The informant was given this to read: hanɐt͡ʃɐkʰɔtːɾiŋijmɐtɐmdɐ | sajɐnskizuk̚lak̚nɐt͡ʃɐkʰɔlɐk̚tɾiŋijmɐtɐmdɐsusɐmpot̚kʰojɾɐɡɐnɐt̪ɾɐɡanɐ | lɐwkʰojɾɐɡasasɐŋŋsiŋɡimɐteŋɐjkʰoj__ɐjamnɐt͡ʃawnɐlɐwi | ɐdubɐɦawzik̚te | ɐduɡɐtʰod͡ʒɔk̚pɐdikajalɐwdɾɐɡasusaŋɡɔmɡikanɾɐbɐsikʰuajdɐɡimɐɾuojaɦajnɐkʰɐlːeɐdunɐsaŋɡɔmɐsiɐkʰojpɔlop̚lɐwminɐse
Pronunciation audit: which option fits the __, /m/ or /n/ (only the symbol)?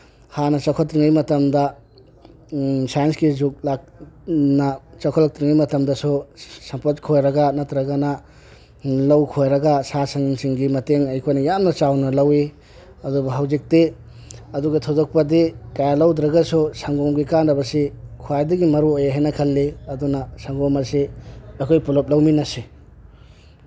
n